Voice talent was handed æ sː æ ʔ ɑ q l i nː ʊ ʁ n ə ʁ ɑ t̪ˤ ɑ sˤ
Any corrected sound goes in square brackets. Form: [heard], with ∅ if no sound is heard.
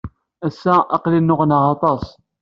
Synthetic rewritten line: æ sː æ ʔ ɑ q l i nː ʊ ʁ n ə ʁ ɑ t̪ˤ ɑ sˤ